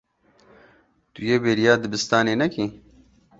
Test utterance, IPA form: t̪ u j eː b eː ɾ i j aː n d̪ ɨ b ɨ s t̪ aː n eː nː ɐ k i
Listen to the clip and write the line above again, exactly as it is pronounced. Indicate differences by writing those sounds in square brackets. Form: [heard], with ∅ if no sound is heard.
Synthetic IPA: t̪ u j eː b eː ɾ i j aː [∅] d̪ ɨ b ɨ s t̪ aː n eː [n] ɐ k i